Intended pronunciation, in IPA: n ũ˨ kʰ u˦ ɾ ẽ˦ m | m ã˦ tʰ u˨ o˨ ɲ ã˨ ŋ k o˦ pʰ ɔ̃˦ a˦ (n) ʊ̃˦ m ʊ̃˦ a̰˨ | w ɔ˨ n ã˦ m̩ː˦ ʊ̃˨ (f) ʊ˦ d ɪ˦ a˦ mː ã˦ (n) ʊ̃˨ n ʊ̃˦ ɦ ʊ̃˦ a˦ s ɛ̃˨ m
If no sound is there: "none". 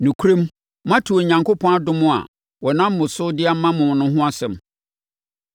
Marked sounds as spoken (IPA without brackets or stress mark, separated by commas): d, s, m